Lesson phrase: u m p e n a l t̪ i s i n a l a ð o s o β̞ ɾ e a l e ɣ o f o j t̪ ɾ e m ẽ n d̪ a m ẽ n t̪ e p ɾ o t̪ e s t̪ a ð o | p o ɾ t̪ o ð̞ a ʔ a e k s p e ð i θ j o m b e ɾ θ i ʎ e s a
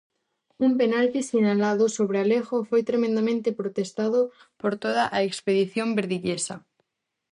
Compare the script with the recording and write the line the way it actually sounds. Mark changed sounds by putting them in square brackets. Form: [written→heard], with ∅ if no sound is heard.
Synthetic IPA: u m p e n a l t̪ i s i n a l a ð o s o β̞ ɾ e a l e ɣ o f o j t̪ ɾ e m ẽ n d̪ a m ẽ n t̪ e p ɾ o t̪ e s t̪ a ð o | p o ɾ t̪ o ð̞ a ʔ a e k s p e ð i θ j o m b e ɾ [θ→ð] i ʎ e s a